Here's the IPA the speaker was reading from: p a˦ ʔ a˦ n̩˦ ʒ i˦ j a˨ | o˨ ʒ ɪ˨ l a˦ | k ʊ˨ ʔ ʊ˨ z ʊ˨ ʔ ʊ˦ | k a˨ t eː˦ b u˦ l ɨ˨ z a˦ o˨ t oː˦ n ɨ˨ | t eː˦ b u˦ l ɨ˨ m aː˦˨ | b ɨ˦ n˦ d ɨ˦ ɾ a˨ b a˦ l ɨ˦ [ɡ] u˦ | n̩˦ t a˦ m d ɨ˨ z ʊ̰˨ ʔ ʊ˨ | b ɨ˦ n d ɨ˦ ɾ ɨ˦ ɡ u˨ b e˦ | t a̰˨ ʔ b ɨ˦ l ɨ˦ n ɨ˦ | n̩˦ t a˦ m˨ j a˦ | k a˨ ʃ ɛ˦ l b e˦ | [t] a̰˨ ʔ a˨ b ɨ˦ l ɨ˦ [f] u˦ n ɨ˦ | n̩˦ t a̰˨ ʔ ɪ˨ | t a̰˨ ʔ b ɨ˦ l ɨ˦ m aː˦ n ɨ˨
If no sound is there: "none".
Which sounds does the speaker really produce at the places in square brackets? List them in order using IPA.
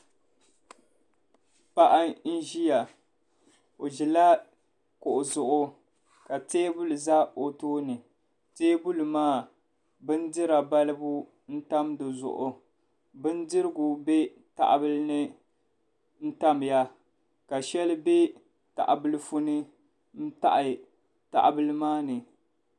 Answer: b, t, f

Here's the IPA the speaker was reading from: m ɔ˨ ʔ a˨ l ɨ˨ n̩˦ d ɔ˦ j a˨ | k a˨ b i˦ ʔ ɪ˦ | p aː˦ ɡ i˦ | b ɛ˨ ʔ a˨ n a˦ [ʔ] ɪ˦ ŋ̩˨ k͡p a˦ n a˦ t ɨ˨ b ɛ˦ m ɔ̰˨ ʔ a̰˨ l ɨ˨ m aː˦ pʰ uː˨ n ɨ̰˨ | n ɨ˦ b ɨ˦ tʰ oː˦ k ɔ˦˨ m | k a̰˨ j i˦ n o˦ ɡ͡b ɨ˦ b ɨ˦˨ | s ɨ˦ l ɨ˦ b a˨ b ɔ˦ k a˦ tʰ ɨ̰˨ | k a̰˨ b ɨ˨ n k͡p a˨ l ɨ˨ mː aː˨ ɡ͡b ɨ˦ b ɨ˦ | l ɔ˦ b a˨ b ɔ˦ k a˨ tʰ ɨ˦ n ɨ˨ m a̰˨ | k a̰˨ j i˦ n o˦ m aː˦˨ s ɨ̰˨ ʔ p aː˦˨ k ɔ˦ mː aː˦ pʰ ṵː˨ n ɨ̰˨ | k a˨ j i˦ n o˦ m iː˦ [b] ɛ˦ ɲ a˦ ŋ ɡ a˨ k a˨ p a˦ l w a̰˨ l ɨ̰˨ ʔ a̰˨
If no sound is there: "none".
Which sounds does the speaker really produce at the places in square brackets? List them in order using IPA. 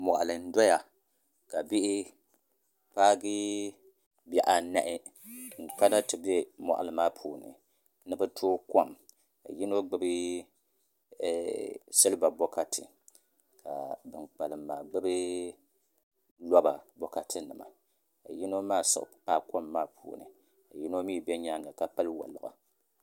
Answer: ʔ, b

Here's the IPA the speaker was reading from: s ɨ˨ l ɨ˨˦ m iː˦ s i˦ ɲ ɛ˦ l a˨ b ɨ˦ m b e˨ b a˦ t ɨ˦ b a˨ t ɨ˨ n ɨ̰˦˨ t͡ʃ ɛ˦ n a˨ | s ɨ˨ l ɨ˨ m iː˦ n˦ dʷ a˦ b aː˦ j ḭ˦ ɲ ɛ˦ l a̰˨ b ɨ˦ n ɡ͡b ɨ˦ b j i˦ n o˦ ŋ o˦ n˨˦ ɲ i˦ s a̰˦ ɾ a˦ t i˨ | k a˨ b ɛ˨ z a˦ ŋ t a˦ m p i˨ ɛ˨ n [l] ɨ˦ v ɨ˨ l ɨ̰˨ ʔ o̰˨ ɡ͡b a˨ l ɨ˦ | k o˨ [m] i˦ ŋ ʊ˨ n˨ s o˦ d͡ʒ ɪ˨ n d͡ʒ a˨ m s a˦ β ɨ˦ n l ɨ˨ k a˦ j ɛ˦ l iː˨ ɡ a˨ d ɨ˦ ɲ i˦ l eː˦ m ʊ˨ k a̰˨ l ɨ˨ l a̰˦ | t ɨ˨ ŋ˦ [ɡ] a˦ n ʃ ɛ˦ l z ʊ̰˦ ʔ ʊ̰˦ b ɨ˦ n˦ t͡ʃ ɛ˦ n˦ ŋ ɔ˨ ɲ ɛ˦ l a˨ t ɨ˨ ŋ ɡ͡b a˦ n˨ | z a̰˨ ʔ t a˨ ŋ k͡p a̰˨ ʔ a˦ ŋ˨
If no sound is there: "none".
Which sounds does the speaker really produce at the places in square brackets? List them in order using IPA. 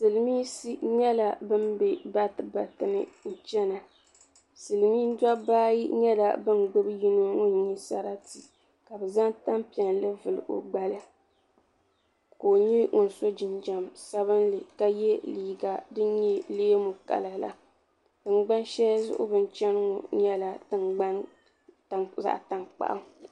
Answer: l, ɲ, ɡ͡b

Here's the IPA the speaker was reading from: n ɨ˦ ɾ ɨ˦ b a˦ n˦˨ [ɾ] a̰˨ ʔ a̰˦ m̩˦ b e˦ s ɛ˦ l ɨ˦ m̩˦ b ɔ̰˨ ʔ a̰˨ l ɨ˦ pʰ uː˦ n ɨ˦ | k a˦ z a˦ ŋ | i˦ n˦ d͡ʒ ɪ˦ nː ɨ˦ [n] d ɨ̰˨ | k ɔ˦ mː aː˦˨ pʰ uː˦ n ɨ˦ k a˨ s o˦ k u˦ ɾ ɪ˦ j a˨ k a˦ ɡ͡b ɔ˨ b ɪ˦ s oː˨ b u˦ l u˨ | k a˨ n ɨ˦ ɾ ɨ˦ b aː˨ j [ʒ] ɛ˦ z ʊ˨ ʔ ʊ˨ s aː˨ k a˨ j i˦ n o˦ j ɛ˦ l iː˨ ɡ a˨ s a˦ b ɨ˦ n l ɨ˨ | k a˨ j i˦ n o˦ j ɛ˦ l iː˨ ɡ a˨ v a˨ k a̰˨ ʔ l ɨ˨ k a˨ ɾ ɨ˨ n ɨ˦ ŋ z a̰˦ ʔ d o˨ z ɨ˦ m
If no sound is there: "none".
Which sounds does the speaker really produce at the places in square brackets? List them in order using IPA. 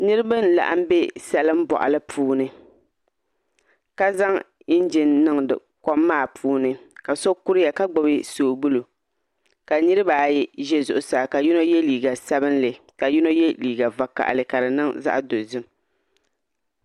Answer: l, ŋ, ʒ

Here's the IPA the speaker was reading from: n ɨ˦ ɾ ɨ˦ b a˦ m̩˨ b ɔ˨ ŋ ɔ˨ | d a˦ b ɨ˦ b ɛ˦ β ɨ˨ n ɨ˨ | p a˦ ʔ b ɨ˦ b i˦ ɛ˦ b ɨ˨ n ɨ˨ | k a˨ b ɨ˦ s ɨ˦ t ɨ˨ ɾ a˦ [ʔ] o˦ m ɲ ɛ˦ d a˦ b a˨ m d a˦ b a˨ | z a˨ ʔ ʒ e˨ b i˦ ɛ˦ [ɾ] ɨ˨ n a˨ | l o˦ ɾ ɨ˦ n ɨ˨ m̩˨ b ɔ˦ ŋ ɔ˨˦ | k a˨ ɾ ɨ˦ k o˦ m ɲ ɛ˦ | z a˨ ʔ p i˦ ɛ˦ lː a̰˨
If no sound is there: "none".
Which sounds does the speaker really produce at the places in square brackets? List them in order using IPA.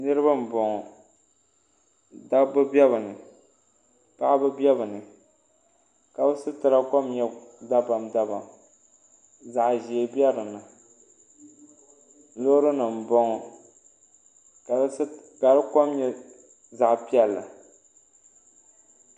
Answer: k, ɾ

